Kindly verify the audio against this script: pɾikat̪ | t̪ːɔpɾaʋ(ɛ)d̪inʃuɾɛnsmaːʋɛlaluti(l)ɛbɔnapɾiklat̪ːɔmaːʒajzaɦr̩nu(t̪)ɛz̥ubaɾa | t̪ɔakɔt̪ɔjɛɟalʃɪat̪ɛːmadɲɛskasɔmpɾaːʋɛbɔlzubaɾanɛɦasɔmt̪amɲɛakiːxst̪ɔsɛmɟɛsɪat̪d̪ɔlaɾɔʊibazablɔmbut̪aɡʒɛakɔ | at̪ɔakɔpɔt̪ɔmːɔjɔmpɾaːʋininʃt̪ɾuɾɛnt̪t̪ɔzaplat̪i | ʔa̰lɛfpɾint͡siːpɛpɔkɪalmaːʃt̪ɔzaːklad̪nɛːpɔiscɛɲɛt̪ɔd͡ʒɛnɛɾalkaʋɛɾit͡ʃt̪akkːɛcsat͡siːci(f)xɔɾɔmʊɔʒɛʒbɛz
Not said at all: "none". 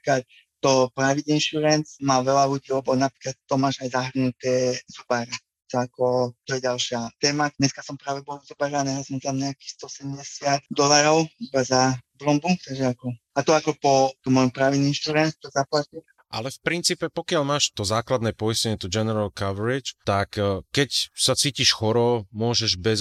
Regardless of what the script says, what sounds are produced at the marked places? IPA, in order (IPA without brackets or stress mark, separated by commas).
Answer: i, l, t̪, ʃ